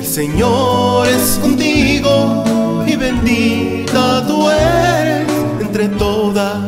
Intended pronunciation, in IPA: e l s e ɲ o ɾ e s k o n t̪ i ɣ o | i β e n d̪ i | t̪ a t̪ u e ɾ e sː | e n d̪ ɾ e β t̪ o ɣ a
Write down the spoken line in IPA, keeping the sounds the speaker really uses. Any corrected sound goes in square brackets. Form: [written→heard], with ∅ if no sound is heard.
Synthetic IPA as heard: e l s e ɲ o ɾ e s k o n t̪ i ɣ o | i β e n d̪ i | t̪ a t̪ u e ɾ e [sː→s] | e n [d̪→t̪] ɾ e [β→∅] t̪ o [ɣ→ð] a